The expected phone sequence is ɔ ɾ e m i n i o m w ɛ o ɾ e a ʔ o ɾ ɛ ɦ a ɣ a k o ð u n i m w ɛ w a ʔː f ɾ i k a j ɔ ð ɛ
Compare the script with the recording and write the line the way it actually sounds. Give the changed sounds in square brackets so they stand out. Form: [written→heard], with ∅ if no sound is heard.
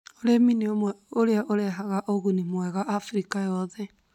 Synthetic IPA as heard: [ɔ→o] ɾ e m i n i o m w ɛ o ɾ e a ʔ o ɾ ɛ ɦ a ɣ a [k→ʔ] o [ð→ɣ] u n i m w ɛ [w→ɣ] a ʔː f ɾ i k a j ɔ ð ɛ

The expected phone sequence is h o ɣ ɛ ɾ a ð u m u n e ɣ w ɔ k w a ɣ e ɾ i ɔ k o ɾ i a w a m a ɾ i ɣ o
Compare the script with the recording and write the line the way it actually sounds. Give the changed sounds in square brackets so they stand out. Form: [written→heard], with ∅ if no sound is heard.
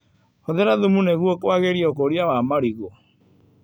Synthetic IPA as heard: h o [ɣ→ð] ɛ ɾ a ð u m u n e ɣ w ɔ k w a ɣ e ɾ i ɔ k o ɾ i a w a m a ɾ i ɣ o

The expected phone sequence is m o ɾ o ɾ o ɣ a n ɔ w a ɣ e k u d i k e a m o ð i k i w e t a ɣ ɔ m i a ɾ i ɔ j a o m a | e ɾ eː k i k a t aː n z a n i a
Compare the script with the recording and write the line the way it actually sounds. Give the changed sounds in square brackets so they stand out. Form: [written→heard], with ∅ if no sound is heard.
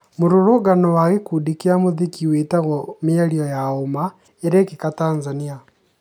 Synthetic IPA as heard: m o ɾ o ɾ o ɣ a n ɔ w a ɣ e k u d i k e a m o ð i k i w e t a ɣ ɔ m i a ɾ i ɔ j a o m a | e ɾ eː k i k a t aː n z a n i a

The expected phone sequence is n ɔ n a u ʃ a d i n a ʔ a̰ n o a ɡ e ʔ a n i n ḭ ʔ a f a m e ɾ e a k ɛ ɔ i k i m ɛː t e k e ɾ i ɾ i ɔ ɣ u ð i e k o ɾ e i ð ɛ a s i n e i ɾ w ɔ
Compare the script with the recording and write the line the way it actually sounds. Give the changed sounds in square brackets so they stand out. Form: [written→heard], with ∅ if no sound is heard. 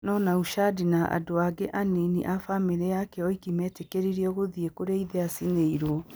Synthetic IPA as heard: n ɔ n a u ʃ a d i n a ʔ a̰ [n→d] o a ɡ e ʔ a n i n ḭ ʔ a f a m e ɾ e a k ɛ ɔ i k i m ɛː t e k e ɾ i ɾ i ɔ ɣ [u→o] ð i e k o ɾ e i ð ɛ a s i n e i ɾ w ɔ

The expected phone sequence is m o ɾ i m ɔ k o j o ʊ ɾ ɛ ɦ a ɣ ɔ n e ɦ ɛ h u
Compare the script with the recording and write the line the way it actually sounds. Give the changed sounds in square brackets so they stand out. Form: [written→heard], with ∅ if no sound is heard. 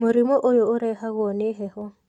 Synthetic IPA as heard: m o ɾ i m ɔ [k→ʔ] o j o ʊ ɾ ɛ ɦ a ɣ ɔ n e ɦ ɛ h [u→ɔ]

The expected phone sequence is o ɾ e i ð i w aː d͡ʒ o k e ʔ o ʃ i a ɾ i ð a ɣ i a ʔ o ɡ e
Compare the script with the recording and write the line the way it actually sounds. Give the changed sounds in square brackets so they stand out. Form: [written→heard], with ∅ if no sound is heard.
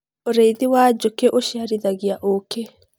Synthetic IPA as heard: o ɾ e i ð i w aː d͡ʒ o k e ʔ o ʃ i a ɾ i ð a ɣ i a ʔ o [ɡ→k] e

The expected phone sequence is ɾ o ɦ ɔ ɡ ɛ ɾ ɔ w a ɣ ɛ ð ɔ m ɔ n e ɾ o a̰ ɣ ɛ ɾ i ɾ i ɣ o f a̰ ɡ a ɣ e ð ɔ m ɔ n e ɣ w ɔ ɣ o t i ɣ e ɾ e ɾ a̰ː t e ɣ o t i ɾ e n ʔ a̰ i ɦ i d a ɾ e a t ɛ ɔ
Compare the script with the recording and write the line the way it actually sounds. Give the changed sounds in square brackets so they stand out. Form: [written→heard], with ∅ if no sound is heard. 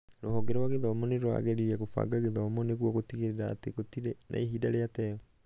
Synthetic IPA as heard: ɾ o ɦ ɔ ɡ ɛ ɾ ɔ w a ɣ [ɛ→e] ð ɔ m ɔ n e ɾ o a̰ ɣ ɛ ɾ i ɾ [i→ɛ] ɣ o f a̰ ɡ a ɣ e ð ɔ m ɔ n e ɣ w ɔ ɣ o t i ɣ e ɾ e ɾ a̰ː t e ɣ o t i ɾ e n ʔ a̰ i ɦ i d a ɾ e a t ɛ ɔ

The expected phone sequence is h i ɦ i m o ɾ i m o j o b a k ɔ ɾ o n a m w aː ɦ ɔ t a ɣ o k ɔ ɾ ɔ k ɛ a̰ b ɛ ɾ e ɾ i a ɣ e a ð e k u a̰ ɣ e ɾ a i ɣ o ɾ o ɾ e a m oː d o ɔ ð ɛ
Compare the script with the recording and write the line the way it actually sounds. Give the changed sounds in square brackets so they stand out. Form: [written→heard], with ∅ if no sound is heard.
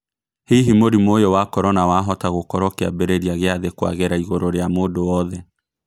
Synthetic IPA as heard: h i ɦ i m o ɾ i m o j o [b→w] a k ɔ ɾ [o→ɔ] n a [m→∅] w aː ɦ ɔ t a ɣ o k ɔ ɾ ɔ k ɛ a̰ b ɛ ɾ e ɾ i a ɣ e a ð e k [u→w] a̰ ɣ e ɾ a i ɣ o ɾ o ɾ e a m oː d o ɔ ð ɛ

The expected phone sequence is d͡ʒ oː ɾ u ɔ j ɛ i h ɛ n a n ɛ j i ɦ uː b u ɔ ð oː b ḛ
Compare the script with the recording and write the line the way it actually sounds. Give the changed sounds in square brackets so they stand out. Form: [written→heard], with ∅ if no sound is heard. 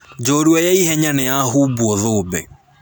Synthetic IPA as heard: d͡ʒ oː ɾ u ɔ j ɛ i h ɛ [n→ɲ] a n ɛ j [i→a] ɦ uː b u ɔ ð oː b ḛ

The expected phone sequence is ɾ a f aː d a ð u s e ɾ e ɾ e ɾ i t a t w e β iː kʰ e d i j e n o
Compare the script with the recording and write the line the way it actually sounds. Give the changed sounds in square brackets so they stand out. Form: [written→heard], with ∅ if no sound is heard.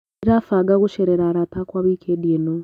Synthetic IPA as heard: ɾ a f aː [d→ɡ] a [ð→ɣ] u [s→ʃ] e ɾ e ɾ [e→a] ɾ [i→a] t a [t→k] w [e→a] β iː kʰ e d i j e n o

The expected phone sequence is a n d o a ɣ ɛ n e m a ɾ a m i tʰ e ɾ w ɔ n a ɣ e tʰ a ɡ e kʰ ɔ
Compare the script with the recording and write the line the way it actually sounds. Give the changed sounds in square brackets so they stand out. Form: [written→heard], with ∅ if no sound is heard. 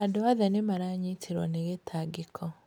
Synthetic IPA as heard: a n d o a [ɣ→ð] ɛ n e m a ɾ a [m→ɲ] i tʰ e ɾ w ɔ n [a→e] ɣ e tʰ a ɡ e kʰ ɔ

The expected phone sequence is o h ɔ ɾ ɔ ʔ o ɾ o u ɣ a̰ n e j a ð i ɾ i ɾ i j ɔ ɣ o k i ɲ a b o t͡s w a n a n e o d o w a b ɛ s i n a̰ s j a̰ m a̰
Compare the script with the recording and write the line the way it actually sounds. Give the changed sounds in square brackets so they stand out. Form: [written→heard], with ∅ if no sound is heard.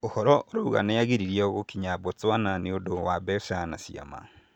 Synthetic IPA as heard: o h ɔ ɾ ɔ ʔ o ɾ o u ɣ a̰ n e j a [ð→ɣ] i ɾ i ɾ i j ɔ ɣ o k i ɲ a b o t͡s w a n a n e o d o w a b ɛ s [i→a] n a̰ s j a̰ m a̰

